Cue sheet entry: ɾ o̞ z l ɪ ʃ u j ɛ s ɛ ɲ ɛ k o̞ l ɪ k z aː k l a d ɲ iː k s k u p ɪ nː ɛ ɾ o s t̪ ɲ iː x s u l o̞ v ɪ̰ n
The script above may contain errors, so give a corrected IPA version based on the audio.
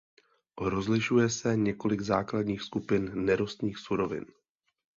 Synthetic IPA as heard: ɾ o̞ z l ɪ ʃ u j ɛ s ɛ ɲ ɛ k o̞ l ɪ ɡ z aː k l a d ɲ iː x s k u p ɪ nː ɛ ɾ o s t̪ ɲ iː x s u ɾ o̞ v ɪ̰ n

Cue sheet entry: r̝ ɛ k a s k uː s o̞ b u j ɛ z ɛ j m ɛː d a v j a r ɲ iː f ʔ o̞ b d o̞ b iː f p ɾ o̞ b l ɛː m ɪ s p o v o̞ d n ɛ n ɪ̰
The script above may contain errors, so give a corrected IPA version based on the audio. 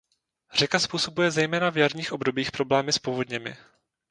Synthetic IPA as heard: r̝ ɛ k a s p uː s o̞ b u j ɛ z ɛ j m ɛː n a v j a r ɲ iː x ʔ o̞ b d o̞ b iː x p ɾ o̞ b l ɛː m ɪ s p o v o̞ d ɲ ɛ m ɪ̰

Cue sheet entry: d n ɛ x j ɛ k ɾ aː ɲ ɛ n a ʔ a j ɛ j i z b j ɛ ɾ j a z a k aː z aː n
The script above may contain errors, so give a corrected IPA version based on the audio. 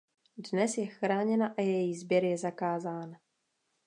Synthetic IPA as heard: d n ɛ s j ɛ x ɾ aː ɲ ɛ n a ʔ a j ɛ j i z b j ɛ ɾ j ɛ z a k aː z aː n

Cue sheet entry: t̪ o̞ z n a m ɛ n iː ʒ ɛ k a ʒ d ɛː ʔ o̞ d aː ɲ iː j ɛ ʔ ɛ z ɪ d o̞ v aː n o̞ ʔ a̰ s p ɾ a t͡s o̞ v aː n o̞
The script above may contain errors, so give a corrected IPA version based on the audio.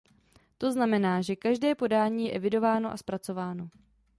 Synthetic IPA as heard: t̪ o̞ z n a m ɛ n aː ʒ ɛ k a ʒ d ɛː p o̞ d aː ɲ iː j ɛ ʔ ɛ v ɪ d o̞ v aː n o̞ ʔ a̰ s p ɾ a t͡s o̞ v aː n o̞

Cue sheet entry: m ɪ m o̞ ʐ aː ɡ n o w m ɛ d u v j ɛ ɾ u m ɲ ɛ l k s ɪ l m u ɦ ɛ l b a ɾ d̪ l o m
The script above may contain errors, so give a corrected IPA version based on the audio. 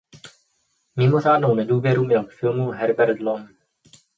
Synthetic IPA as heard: m ɪ m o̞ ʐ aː d n o w n ɛ d uː v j ɛ ɾ u m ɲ ɛ l k f ɪ l m u ɦ ɛ ɾ b ɛ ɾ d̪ l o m

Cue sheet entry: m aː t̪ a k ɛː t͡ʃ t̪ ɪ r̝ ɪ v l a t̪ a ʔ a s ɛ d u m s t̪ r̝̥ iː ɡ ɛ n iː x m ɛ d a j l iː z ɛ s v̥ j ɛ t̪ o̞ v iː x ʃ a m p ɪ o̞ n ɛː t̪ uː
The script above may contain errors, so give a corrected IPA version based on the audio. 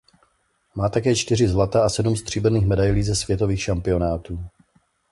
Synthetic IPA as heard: m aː t̪ a k ɛː t͡ʃ t̪ ɪ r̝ ɪ z l a t̪ a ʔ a s ɛ d u m s t̪ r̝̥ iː b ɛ n iː x m ɛ d a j l iː z ɛ s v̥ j ɛ t̪ o̞ v iː x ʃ a m p ɪ o̞ n aː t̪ uː

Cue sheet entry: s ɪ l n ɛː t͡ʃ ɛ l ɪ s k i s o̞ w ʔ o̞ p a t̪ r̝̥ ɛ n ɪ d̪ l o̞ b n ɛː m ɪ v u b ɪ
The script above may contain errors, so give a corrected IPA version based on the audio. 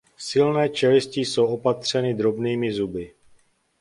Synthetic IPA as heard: s ɪ l n ɛː t͡ʃ ɛ l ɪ s c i s o̞ w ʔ o̞ p a t̪ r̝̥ ɛ n ɪ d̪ ɾ o̞ b n iː m ɪ z u b ɪ

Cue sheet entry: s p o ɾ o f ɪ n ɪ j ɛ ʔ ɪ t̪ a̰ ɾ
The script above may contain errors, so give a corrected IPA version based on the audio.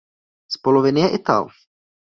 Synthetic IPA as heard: s p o l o v ɪ n ɪ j ɛ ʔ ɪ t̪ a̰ l

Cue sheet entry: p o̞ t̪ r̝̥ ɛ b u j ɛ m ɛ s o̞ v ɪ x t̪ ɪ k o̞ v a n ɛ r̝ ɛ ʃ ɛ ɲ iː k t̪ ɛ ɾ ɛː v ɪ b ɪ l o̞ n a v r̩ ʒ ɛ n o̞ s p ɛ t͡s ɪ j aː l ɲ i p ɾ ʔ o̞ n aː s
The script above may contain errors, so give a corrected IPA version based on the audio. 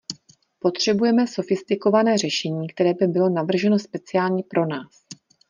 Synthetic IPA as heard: p o̞ t̪ r̝̥ ɛ b u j ɛ m ɛ s o̞ f ɪ s t̪ ɪ k o̞ v a n ɛː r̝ ɛ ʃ ɛ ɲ iː k t̪ ɛ ɾ ɛː b ɪ b ɪ l o̞ n a v r̩ ʒ ɛ n o̞ s p ɛ t͡s ɪ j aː l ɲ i p ɾ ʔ o̞ n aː s

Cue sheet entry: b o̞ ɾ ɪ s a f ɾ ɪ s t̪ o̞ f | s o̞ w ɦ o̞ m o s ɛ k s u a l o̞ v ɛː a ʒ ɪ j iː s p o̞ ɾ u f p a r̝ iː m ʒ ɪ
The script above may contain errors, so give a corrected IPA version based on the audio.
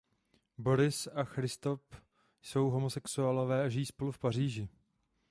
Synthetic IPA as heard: b o̞ ɾ ɪ s a x ɾ ɪ s t̪ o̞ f | s o̞ w ɦ o̞ m o s ɛ k s u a l o̞ v ɛː a ʒ ɪ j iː s p o̞ l u f p a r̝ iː ʒ ɪ

